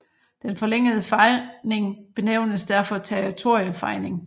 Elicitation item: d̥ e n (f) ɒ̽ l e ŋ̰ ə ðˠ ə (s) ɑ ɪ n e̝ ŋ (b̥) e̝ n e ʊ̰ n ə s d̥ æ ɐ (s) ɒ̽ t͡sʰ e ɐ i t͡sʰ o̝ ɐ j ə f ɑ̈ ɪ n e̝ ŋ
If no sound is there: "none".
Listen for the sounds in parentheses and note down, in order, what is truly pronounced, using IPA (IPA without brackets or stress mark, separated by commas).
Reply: f, f, b̥, f